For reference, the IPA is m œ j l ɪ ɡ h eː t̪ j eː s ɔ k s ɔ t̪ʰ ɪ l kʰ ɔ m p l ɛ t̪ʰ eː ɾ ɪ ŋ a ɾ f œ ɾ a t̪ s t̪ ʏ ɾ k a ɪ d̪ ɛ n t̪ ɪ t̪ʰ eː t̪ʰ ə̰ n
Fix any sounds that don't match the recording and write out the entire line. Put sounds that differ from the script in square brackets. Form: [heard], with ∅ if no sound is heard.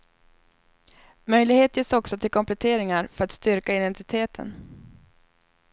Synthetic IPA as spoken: m œ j l ɪ ɡ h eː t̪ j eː s ɔ k s ɔ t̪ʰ ɪ l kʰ ɔ m p l ɛ t̪ʰ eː ɾ ɪ ŋ a ɾ f œ ɾ a t̪ s t̪ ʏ ɾ k a ɪ d̪ ɛ n t̪ ɪ t̪ʰ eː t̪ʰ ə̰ n